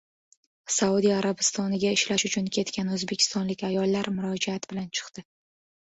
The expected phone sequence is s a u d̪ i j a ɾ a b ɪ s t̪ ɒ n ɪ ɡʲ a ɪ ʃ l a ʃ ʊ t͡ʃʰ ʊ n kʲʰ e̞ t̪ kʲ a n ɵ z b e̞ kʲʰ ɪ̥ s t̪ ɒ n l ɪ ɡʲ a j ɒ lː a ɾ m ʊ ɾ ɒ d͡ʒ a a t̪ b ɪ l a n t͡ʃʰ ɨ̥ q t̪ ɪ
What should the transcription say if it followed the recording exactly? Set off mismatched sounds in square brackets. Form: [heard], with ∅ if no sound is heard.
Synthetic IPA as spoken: s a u d̪ i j a ɾ a b ɪ s t̪ ɒ n ɪ ɡʲ a ɪ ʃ l a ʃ ʊ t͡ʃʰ ʊ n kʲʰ e̞ t̪ kʲ a n ɵ z b e̞ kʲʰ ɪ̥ s t̪ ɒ n l ɪ [kʲ] a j ɒ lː a ɾ m ʊ ɾ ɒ d͡ʒ a a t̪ b ɪ l a n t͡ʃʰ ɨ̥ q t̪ ɪ